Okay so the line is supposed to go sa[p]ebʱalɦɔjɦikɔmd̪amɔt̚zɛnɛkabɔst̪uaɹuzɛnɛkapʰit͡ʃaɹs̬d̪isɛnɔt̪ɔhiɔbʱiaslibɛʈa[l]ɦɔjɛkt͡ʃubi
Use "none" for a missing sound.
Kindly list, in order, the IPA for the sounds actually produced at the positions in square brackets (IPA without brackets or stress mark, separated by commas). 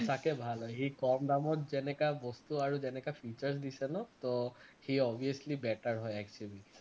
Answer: k, ɹ